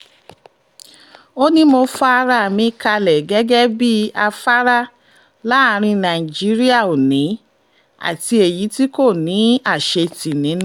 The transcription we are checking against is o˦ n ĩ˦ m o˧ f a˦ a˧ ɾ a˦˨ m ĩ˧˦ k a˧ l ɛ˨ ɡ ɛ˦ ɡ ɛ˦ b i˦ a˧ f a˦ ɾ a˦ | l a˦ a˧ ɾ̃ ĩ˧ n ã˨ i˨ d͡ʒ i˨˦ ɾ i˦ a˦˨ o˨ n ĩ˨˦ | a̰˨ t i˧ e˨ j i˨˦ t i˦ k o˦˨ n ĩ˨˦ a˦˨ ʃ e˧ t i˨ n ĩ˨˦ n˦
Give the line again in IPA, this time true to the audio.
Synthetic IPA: o˦ n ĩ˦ m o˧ f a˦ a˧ ɾ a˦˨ m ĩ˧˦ k a˧ l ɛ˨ ɡ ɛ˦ ɡ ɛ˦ b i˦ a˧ f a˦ ɾ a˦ | l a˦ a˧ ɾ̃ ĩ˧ n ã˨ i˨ d͡ʒ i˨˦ ɾ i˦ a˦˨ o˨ n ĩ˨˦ | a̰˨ t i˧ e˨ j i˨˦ t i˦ k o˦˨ n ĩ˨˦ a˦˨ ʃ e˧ t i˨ n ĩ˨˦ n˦